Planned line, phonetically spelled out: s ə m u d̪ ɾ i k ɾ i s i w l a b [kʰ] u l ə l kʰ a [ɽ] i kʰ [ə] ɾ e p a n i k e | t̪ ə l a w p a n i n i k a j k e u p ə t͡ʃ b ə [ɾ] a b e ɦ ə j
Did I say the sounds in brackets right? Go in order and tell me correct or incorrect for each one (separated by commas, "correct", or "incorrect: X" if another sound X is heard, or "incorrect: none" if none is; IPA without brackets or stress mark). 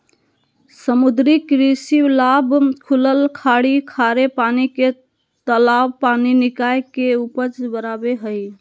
correct, correct, incorrect: a, correct